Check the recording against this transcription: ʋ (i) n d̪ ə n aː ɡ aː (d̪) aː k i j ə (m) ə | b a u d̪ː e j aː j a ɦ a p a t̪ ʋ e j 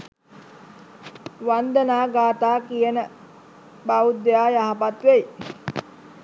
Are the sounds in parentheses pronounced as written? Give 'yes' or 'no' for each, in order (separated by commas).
no, no, no